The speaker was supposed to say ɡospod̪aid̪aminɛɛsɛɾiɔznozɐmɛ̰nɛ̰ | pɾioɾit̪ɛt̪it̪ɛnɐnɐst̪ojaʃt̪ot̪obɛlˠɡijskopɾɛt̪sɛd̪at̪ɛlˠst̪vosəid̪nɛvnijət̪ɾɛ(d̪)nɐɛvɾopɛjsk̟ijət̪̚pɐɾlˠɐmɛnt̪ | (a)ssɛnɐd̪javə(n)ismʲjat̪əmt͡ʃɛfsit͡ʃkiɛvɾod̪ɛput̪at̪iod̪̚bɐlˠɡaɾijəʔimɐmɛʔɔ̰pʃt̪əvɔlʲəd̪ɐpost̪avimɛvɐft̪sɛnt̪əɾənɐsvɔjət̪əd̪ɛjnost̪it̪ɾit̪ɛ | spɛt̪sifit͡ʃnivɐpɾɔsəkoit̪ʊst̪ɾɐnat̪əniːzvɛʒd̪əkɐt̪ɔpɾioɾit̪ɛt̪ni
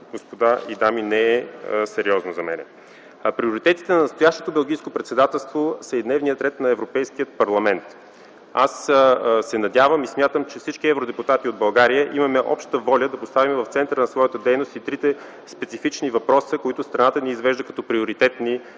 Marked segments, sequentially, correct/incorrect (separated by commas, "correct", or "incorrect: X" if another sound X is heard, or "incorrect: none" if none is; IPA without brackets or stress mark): incorrect: t̪, correct, incorrect: m